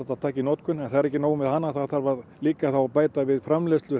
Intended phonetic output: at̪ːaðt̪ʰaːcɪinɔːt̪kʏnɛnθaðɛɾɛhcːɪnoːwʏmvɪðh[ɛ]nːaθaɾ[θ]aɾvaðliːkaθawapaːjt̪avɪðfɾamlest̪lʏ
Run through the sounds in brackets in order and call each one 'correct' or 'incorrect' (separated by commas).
incorrect, correct